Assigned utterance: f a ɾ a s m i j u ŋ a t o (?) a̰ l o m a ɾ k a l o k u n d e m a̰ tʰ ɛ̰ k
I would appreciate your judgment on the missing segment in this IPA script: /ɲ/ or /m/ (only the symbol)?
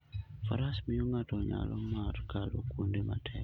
ɲ